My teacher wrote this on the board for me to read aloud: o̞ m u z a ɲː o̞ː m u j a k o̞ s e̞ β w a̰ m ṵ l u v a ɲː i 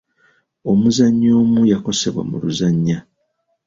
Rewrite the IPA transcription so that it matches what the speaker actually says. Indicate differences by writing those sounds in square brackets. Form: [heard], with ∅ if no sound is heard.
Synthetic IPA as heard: o̞ m u z a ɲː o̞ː m u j a k o̞ s e̞ β w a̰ m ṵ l u [z] a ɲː [a]

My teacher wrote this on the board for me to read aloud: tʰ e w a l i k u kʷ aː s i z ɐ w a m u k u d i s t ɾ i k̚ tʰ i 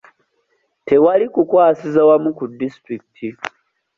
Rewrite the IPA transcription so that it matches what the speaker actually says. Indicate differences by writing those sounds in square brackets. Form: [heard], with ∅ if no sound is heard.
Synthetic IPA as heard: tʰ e w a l i k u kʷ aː s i z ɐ w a m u k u d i s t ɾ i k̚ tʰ i

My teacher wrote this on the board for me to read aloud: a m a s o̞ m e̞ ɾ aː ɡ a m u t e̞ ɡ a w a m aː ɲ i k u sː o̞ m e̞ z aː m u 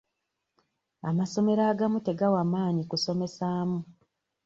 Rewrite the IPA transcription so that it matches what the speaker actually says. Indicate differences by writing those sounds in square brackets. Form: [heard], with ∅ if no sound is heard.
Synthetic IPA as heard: a m a s o̞ m e̞ ɾ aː ɡ a m u t e̞ ɡ a w a m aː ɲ i k u [s] o̞ m e̞ [s] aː m u

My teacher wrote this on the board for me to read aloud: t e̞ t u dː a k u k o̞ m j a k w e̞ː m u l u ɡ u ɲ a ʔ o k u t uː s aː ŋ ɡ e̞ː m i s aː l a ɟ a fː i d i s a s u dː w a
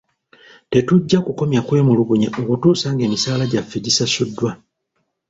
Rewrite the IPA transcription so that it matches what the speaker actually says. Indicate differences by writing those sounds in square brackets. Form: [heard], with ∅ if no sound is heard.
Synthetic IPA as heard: t e̞ t u [ɟː] a k u k o̞ m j a k w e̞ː m u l u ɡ u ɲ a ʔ o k u t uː s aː ŋ ɡ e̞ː m i s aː l a ɟ a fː i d i s a s u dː w a

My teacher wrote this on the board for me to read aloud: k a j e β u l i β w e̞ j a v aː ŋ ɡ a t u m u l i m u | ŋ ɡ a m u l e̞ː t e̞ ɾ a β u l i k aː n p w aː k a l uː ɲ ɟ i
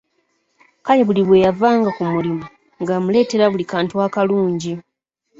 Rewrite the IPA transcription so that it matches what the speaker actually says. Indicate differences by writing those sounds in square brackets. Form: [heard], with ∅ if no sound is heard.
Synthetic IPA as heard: k a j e β u l i β w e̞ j a v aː ŋ ɡ a [k] u m u l i m u | ŋ ɡ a m u l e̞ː t e̞ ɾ a β u l i k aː n [t] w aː k a l uː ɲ ɟ i

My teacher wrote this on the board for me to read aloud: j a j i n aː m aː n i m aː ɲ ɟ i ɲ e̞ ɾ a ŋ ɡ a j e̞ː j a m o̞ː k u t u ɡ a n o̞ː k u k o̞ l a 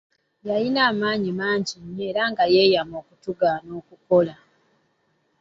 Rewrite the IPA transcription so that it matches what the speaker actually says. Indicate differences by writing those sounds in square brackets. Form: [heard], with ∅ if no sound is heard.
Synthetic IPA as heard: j a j i n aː m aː [ɲ] i m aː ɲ ɟ i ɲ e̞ ɾ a ŋ ɡ a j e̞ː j a m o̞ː k u t u ɡ a n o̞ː k u k o̞ l a

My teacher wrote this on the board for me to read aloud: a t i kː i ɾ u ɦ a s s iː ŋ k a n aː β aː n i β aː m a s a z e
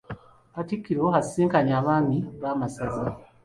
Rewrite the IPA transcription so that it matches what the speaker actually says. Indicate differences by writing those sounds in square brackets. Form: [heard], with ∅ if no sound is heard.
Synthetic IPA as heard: a t i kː i ɾ [o] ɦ a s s iː ŋ k a [ɲ] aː β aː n i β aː m a s a z [a]

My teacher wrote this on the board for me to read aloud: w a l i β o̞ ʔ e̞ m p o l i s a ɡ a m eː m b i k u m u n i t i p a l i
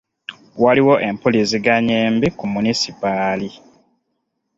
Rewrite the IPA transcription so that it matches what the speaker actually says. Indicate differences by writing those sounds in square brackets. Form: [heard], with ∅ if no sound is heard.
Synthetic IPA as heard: w a l i [w] o̞ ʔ e̞ m p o l i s [i] ɡ a [ɲ] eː m b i k u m u n i [s] i p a l i

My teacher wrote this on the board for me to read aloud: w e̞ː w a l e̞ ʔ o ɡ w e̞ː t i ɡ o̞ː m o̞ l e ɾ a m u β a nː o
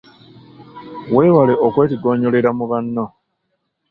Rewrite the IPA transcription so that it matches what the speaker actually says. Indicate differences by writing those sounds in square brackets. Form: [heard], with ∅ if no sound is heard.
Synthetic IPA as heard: w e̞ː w a l e̞ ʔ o [k] w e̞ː t i ɡ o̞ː [ɲ] o̞ l e ɾ a m u β a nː o

